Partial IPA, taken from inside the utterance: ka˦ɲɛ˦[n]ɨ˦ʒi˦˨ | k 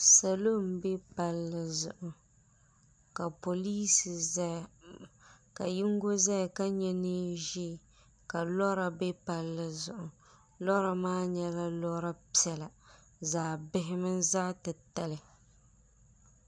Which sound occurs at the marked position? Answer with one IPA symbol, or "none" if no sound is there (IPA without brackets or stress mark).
n